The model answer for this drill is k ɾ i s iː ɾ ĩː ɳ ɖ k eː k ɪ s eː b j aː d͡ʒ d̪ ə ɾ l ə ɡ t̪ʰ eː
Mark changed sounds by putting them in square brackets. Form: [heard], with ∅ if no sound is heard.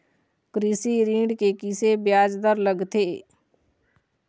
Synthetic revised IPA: k ɾ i s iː ɾ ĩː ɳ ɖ k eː k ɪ s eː b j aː d͡ʒ d̪ ə ɾ l ə ɡ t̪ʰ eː